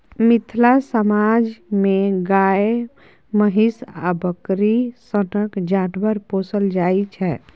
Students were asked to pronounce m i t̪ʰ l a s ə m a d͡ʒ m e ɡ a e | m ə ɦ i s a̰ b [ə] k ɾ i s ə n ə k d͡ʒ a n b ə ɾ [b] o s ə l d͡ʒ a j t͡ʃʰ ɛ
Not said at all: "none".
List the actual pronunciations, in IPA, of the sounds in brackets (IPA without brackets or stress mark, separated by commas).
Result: ə, p